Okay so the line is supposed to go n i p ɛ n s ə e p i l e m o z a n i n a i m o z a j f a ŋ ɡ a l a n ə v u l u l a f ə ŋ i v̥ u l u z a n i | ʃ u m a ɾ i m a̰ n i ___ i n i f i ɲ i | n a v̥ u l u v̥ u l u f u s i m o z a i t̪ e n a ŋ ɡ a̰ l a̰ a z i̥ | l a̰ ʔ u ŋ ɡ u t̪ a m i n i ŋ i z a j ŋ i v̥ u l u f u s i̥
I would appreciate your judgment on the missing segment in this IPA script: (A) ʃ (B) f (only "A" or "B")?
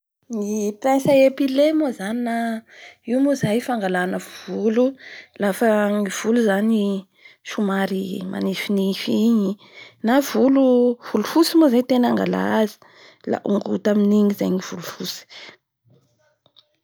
B